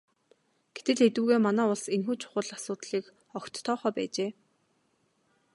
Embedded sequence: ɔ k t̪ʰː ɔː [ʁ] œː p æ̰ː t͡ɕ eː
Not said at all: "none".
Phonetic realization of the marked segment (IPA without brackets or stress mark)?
χ